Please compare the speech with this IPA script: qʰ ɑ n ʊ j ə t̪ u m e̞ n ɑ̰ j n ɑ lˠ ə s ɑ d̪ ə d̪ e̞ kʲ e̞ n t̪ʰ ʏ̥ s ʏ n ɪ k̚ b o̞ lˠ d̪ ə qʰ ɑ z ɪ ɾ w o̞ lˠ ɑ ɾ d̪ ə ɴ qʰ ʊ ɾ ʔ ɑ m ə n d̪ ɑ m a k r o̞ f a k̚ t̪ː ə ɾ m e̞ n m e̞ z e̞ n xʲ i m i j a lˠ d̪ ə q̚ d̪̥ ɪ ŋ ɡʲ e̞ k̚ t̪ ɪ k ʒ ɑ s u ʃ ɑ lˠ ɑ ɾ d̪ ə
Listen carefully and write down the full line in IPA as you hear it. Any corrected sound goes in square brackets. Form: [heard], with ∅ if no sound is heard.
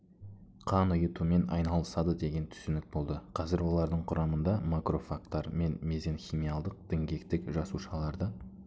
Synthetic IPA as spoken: qʰ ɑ n ʊ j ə t̪ u m e̞ n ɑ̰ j n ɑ lˠ ə s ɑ d̪ ə d̪ e̞ [ɡʲ] e̞ n t̪ʰ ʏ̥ s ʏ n ɪ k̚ b o̞ lˠ d̪ ə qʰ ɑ z ɪ ɾ w o̞ lˠ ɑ ɾ d̪ ə ɴ qʰ ʊ ɾ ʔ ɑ m ə n d̪ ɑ m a k r o̞ f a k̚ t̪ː [ɑ] ɾ m e̞ n m e̞ z e̞ n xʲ i m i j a lˠ d̪ ə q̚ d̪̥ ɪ ŋ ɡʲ e̞ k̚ t̪ ɪ k ʒ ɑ s u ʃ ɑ lˠ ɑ ɾ d̪ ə